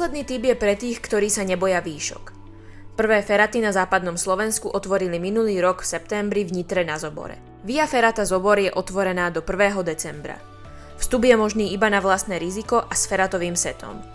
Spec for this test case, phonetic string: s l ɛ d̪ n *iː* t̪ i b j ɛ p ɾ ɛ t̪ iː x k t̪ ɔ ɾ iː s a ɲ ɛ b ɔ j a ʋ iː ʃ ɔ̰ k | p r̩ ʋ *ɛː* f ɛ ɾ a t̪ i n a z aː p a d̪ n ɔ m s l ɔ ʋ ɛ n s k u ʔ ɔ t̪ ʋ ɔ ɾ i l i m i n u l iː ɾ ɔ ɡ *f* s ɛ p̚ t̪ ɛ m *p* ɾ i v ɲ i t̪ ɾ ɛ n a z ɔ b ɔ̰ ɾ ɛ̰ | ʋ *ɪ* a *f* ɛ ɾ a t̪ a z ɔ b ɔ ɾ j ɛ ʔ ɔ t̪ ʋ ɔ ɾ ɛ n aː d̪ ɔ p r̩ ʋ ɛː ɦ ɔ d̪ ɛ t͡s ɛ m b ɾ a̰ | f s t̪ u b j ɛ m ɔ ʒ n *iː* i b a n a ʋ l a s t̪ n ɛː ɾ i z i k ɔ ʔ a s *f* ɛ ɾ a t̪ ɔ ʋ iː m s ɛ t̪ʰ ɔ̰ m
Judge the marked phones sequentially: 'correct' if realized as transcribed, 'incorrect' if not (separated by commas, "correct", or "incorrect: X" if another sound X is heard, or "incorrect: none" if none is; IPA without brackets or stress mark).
correct, correct, correct, incorrect: b, incorrect: i, correct, correct, correct